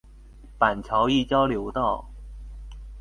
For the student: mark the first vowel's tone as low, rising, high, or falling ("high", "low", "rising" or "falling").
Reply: low